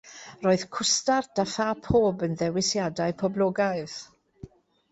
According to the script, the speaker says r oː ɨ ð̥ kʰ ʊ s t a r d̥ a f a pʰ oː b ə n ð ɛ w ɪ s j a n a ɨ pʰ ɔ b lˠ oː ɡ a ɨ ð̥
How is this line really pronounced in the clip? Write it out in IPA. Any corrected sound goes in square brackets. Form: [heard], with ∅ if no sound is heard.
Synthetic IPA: r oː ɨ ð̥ kʰ ʊ s t a r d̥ a f a pʰ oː b ə n ð ɛ w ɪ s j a [d] a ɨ pʰ ɔ b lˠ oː ɡ a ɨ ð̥